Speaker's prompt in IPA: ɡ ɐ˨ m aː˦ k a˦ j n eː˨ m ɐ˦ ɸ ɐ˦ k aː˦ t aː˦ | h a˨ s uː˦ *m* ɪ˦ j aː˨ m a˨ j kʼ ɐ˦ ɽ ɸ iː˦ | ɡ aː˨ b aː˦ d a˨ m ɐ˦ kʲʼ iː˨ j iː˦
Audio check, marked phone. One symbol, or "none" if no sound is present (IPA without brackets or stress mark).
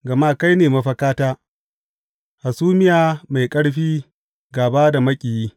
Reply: m